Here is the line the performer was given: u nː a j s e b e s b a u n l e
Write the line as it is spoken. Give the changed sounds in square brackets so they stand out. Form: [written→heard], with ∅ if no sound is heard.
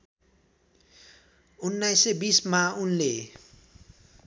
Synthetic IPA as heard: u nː a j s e b [e→i] s [b→m] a u n l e